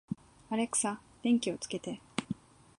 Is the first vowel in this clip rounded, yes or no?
no